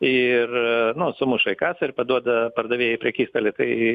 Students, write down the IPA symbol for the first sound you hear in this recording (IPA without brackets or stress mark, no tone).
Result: ɪ